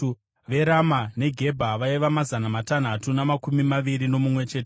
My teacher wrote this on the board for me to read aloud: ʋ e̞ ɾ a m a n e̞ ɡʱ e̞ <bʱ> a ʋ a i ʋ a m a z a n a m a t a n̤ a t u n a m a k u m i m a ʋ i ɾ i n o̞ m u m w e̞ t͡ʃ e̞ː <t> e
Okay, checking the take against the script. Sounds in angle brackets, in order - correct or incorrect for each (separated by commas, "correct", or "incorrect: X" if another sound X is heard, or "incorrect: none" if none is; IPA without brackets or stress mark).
correct, correct